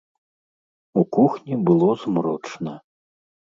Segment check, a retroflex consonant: present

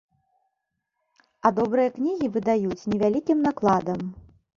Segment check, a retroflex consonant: absent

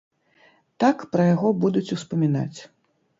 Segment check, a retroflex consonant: absent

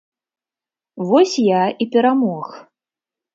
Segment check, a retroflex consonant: absent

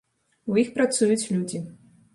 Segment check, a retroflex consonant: absent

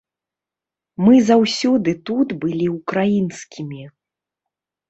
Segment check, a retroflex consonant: absent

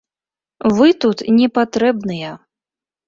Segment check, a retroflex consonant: absent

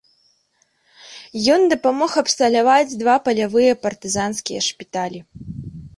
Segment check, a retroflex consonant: present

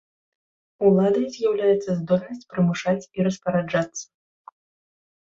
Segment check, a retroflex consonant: present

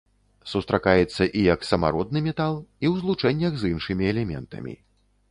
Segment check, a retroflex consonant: present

